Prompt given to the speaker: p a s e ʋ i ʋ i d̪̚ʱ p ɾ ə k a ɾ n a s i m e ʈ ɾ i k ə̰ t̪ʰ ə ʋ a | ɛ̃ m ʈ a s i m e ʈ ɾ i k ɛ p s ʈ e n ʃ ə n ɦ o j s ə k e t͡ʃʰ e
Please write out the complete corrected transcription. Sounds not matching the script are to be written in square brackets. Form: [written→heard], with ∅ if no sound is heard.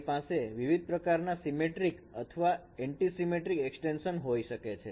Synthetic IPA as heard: p a s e ʋ i ʋ i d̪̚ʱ p ɾ ə k a ɾ n a s i m e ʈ ɾ i k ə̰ t̪ʰ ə ʋ a | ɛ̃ [m→ɳ] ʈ [a→i] s i m e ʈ ɾ i k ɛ [p→k] s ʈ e n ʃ ə n ɦ o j [s→ʃ] ə k e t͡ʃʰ e